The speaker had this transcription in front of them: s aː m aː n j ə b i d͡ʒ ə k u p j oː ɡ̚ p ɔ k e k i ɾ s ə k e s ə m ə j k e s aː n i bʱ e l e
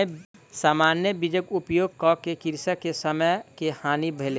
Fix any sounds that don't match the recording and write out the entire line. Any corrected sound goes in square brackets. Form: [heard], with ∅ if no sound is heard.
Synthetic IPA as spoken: s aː m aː n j ə b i d͡ʒ ə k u p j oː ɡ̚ [k] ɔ k e k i ɾ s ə k e s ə m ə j k e [h] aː n i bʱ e l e